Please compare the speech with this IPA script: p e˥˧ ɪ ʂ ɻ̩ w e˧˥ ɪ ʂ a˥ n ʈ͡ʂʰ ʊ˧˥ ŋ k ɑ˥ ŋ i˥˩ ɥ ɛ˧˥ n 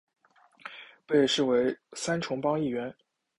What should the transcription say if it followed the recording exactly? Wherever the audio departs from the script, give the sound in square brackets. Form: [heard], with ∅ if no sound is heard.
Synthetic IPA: p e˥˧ ɪ ʂ ɻ̩ w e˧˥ ɪ [s] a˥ n ʈ͡ʂʰ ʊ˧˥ ŋ [p] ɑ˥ ŋ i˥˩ ɥ ɛ˧˥ n